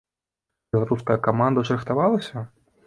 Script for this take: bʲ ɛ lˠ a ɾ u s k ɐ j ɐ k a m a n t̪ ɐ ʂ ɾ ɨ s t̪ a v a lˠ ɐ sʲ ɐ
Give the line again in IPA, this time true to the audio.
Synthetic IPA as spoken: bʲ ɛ lˠ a ɾ u s k ɐ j ɐ k a m a n d̪ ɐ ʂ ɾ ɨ x t̪ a v a lˠ ɐ sʲ ɐ